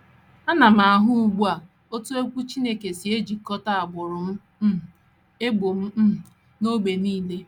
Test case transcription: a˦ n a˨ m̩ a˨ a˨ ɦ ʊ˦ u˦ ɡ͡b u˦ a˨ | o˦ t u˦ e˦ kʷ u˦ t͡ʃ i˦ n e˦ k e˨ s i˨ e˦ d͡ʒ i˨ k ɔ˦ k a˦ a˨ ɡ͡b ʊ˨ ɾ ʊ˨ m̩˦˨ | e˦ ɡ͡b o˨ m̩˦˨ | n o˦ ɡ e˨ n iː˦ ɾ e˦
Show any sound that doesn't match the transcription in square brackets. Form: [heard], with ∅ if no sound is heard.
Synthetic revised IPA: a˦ n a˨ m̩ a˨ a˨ ɦ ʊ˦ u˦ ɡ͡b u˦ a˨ | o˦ t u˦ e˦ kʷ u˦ t͡ʃ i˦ n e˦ k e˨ s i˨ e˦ d͡ʒ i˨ k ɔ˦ [t] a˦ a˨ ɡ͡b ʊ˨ ɾ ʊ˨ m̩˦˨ | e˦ ɡ͡b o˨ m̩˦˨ | n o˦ [ɡ͡b] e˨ n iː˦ [l] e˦

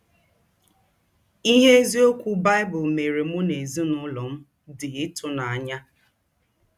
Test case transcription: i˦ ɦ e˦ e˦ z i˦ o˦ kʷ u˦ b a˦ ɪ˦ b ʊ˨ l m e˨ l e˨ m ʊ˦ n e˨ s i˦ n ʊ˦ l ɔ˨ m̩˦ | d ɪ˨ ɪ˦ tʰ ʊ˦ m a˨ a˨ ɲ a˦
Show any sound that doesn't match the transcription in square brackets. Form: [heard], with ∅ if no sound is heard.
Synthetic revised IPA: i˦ ɦ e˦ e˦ z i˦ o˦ kʷ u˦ b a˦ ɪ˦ b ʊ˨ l m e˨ [ɾ] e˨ m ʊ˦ n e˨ [z] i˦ n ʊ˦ l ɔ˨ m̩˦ | d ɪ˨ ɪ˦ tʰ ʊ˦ [n] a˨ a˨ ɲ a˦

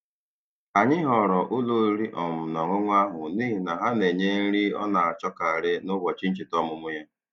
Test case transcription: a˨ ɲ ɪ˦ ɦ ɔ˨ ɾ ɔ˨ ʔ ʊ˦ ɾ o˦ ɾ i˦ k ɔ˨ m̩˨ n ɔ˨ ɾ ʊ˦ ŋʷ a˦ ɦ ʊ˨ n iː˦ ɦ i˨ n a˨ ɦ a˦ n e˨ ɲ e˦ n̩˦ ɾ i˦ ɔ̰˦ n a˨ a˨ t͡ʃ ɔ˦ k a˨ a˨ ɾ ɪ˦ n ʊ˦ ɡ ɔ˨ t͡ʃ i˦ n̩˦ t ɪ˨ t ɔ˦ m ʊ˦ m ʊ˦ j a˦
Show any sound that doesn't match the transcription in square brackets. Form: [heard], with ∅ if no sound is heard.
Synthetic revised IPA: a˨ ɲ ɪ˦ ɦ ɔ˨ ɾ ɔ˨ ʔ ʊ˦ [l] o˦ ɾ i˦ [ʔ] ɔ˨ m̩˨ n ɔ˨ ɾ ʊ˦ ŋʷ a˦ ɦ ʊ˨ n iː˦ ɦ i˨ n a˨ ɦ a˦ n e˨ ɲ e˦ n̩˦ ɾ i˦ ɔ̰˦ n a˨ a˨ t͡ʃ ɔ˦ k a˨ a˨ ɾ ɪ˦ n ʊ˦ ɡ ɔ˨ t͡ʃ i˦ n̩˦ [t͡ʃ] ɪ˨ t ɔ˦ m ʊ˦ m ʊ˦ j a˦

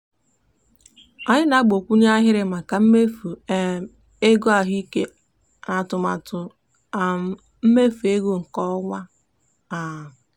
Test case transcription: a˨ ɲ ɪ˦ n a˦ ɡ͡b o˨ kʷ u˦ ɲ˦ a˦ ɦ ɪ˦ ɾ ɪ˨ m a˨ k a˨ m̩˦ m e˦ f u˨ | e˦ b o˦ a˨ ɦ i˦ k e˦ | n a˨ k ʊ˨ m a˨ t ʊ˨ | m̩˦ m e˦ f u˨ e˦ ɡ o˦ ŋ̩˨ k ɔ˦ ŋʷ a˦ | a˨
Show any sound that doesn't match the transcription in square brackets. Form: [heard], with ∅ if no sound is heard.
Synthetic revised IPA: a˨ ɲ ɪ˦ n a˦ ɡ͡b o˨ kʷ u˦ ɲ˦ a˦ ɦ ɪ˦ ɾ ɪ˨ m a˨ k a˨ m̩˦ m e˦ f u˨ | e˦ [ɡ] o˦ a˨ ɦ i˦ k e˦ | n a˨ [t] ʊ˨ m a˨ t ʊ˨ | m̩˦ m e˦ f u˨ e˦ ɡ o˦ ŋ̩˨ k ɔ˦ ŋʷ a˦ | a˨

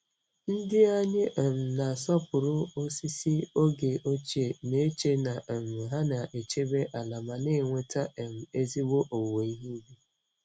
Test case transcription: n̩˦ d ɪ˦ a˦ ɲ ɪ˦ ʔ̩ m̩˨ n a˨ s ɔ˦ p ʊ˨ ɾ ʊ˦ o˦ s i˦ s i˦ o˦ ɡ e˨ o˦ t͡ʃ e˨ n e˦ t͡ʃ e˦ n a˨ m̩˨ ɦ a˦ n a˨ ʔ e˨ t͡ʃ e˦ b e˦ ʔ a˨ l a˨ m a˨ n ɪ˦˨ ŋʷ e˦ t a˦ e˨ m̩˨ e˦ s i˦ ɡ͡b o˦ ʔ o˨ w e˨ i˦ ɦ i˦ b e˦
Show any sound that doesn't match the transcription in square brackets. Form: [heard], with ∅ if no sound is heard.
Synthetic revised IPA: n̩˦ d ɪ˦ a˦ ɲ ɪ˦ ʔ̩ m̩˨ n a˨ s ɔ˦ p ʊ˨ ɾ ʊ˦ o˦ s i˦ s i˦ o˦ ɡ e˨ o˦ t͡ʃ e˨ n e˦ t͡ʃ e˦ n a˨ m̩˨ ɦ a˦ n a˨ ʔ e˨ t͡ʃ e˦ b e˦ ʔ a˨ l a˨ m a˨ n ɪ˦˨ ŋʷ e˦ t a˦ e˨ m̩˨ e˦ [z] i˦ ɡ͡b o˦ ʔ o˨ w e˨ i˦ ɦ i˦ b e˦

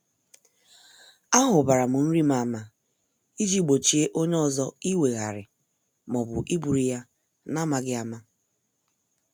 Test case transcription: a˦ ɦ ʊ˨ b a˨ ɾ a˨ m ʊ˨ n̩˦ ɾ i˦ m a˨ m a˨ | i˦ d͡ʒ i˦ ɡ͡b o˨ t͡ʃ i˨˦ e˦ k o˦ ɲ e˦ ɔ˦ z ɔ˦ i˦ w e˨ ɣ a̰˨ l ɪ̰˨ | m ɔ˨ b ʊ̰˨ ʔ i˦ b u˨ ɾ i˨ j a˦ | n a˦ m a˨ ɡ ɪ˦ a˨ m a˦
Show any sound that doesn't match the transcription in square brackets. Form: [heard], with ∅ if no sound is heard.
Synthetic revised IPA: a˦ ɦ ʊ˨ b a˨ ɾ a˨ m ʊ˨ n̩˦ ɾ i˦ m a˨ m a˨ | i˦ d͡ʒ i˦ ɡ͡b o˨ t͡ʃ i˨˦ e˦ [ʔ] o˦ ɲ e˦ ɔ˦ z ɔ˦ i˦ w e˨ ɣ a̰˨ [ɾ] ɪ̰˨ | m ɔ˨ b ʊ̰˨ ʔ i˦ b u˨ ɾ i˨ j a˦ | n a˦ m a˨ ɡ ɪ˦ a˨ m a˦

